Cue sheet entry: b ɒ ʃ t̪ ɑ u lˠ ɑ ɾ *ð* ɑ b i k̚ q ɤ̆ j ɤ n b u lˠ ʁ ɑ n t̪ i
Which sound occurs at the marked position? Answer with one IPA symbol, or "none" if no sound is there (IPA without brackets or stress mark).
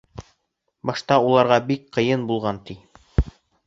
ʁ